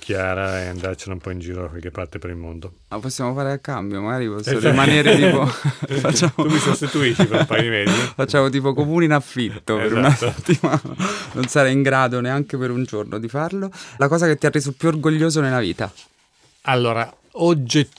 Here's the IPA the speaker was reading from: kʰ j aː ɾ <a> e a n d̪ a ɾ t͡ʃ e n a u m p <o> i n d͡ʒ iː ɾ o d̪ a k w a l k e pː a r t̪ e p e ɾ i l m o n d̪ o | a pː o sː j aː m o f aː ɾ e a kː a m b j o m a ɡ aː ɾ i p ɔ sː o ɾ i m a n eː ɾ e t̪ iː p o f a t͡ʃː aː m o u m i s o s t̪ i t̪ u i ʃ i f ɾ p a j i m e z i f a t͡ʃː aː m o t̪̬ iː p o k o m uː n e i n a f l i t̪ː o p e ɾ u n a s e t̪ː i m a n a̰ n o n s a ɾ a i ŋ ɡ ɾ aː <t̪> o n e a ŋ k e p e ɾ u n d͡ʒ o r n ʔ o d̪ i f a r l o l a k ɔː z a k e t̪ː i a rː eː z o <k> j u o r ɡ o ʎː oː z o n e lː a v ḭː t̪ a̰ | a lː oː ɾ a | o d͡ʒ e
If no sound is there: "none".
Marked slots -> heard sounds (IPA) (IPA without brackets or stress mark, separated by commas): a, ɔ, d̪, p